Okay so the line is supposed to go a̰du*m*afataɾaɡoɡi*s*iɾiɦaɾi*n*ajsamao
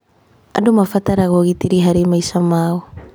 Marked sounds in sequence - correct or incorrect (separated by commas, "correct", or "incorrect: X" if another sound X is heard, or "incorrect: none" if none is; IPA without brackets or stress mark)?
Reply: correct, incorrect: t, incorrect: m